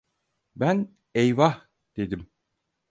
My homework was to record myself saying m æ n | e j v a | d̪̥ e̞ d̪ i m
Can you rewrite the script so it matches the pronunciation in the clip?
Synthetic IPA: b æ n | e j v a | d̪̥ e̞ d̪ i m